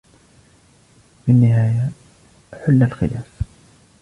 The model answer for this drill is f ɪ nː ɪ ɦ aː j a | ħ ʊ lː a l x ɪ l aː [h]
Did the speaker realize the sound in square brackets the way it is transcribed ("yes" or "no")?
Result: no